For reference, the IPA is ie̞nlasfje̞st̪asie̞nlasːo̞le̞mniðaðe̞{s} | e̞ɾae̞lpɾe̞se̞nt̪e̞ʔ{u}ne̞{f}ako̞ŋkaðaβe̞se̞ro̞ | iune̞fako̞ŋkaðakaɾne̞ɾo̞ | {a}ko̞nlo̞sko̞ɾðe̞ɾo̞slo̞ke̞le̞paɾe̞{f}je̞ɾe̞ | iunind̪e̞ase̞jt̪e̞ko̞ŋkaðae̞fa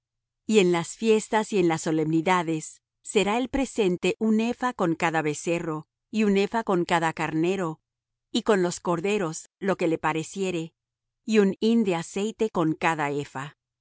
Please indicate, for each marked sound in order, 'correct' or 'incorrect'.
incorrect: sː, correct, correct, incorrect: i, incorrect: s

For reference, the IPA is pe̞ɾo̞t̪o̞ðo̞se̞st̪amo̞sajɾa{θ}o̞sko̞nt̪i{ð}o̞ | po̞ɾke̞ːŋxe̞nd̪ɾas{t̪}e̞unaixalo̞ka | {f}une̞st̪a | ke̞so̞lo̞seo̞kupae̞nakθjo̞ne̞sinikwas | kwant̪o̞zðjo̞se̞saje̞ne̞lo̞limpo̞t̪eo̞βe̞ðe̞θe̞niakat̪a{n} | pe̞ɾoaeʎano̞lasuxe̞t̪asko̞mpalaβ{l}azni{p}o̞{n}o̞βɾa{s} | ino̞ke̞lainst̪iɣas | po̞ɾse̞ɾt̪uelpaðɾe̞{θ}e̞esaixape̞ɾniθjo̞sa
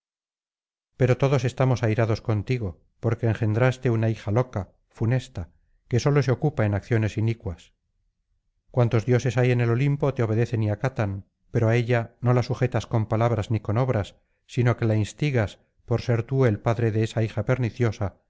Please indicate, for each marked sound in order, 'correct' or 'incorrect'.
incorrect: ð, incorrect: ɣ, correct, correct, correct, incorrect: ɾ, incorrect: k, correct, incorrect: sː, incorrect: ð

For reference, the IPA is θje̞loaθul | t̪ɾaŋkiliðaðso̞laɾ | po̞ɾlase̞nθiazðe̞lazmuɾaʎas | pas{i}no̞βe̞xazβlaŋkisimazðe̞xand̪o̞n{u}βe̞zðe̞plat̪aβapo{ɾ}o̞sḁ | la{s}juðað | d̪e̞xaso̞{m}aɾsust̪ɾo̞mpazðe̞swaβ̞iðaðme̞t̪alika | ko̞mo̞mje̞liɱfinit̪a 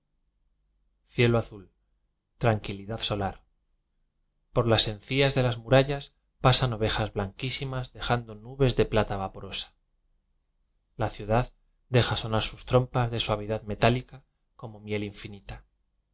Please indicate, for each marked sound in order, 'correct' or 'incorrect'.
incorrect: a, correct, correct, incorrect: θ, incorrect: n

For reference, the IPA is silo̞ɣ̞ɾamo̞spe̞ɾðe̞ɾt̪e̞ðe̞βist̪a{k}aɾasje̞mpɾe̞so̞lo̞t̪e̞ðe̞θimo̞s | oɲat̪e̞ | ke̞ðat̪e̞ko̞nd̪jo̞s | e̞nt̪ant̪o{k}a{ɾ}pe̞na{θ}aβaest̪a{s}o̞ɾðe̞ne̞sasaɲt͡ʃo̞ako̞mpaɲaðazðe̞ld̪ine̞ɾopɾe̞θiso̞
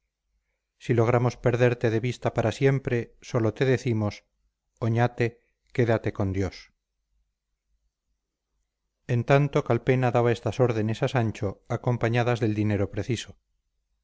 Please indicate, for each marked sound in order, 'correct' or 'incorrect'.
incorrect: p, correct, incorrect: l, incorrect: ð, correct

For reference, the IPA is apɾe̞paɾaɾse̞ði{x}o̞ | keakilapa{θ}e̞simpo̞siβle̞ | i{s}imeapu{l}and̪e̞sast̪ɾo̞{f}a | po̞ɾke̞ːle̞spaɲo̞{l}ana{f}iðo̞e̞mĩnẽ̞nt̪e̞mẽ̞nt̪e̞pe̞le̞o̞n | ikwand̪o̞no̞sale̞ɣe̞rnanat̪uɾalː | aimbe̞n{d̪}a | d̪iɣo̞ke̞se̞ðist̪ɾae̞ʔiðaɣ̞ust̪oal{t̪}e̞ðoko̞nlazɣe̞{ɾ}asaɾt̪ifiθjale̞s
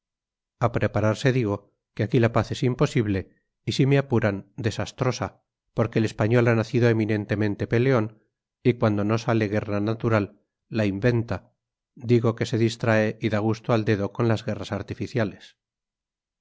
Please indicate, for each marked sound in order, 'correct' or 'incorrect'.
incorrect: ɣ, correct, correct, incorrect: ɾ, incorrect: s, correct, incorrect: θ, incorrect: t̪, incorrect: d̪, incorrect: r

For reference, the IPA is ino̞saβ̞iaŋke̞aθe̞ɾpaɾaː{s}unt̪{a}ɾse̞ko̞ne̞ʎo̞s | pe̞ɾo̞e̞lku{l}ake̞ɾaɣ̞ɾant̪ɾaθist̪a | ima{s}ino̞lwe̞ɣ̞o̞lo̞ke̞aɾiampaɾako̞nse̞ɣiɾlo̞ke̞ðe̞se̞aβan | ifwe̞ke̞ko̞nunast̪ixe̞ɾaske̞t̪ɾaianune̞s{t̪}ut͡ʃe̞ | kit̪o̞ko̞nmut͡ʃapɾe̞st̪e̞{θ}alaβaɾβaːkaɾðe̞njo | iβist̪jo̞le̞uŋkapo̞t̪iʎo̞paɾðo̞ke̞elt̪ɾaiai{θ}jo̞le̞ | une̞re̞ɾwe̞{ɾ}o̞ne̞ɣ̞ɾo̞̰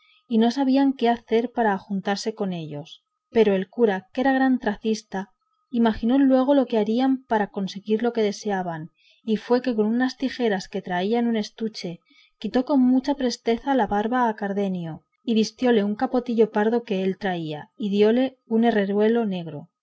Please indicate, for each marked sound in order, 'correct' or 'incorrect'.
incorrect: x, correct, incorrect: ɾ, incorrect: x, correct, correct, incorrect: ð, incorrect: l

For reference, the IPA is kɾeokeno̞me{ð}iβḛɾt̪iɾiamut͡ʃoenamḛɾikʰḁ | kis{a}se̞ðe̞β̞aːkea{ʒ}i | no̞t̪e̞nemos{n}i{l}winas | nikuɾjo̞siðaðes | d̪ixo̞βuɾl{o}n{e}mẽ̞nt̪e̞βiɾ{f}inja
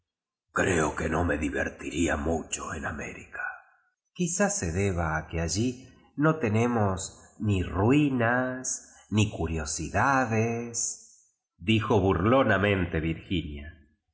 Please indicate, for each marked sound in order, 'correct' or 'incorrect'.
correct, correct, correct, correct, incorrect: r, correct, incorrect: a, incorrect: x

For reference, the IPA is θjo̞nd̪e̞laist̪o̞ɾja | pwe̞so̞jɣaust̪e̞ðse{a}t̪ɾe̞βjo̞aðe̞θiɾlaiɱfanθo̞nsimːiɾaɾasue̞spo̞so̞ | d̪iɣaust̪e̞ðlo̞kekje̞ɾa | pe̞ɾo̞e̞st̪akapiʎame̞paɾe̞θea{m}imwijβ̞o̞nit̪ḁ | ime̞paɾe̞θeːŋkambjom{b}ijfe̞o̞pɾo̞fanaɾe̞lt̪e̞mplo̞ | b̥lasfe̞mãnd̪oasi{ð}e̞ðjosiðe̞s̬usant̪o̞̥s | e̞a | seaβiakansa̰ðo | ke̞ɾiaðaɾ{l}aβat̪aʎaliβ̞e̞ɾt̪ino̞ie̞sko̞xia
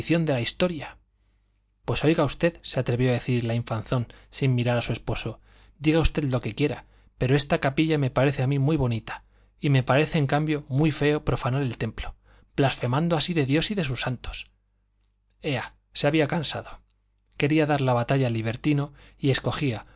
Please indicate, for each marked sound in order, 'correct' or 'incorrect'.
correct, correct, incorrect: w, correct, correct

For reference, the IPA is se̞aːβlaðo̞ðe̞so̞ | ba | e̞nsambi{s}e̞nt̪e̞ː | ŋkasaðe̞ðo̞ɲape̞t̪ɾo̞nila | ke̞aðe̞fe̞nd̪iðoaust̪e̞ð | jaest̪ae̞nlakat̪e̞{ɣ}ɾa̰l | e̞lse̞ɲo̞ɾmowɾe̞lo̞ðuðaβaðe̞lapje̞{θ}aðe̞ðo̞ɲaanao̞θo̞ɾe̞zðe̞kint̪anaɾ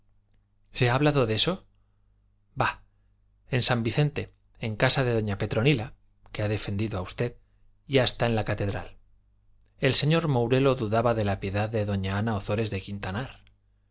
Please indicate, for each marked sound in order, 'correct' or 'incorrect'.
incorrect: θ, incorrect: ð, incorrect: ð

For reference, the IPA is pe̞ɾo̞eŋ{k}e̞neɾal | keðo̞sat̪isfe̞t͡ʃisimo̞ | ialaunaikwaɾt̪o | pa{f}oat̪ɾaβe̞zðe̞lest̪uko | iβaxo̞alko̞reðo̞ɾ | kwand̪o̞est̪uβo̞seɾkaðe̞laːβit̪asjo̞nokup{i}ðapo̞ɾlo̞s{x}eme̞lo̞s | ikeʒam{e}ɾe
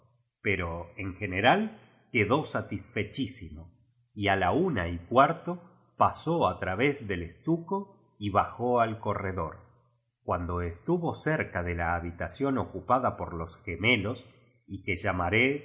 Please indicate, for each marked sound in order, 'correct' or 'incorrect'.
incorrect: x, incorrect: s, incorrect: a, correct, incorrect: a

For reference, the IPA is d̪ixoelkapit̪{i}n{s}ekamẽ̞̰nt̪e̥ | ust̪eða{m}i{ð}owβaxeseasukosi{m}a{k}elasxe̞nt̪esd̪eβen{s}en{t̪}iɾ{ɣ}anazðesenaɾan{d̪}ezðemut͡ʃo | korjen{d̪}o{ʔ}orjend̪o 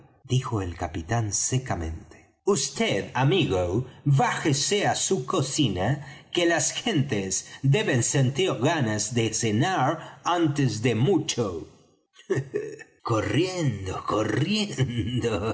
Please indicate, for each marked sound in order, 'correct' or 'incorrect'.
incorrect: a, correct, correct, incorrect: ɣ, incorrect: n, correct, correct, correct, correct, incorrect: t̪, correct, incorrect: k

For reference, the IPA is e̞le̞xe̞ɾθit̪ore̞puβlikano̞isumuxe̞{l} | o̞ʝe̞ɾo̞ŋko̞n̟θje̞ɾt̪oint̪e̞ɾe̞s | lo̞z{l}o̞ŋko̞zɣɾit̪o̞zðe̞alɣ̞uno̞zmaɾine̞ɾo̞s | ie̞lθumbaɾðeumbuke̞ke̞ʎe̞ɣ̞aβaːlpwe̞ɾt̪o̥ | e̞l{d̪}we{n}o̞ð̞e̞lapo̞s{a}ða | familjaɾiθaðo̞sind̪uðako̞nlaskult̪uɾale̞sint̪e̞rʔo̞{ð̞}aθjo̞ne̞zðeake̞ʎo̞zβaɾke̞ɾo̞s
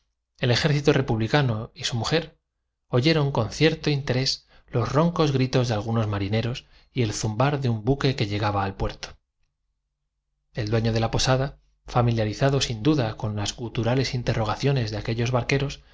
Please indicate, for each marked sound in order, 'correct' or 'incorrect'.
incorrect: ɾ, incorrect: r, correct, incorrect: ɲ, correct, incorrect: ɣ̞

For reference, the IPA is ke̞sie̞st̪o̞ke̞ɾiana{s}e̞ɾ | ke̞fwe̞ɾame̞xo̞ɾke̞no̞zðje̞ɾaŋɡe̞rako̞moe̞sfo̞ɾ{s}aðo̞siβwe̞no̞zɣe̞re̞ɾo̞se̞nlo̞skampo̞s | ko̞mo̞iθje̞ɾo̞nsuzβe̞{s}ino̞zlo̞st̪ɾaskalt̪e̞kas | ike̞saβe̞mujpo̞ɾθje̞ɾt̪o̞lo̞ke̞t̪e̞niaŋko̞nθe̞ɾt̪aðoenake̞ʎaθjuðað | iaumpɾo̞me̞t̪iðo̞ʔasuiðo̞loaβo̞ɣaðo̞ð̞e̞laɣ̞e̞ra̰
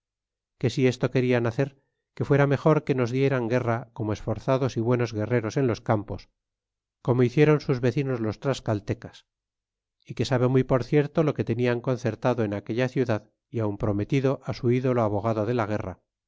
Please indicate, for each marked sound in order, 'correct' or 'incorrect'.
incorrect: θ, incorrect: θ, incorrect: θ

